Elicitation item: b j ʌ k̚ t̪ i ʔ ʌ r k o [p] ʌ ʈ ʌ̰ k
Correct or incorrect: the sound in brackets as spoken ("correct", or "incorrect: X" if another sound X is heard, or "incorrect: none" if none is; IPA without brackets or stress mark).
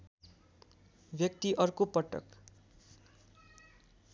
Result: correct